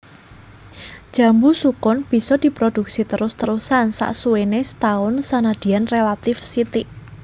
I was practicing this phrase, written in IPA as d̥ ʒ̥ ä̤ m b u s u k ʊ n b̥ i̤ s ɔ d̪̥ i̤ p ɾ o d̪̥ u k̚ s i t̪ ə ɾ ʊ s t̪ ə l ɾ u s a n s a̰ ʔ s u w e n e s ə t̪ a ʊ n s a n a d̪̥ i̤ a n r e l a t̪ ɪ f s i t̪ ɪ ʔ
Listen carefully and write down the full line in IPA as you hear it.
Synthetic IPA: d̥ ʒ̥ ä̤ m b u s u k ʊ n b̥ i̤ s ɔ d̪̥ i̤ p ɾ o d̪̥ u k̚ s i t̪ ə ɾ ʊ s t̪ ə ɾ u s a n s a̰ ʔ s u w e n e s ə t̪ a ʊ n s a n a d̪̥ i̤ a n r e l a t̪ ɪ f s i t̪ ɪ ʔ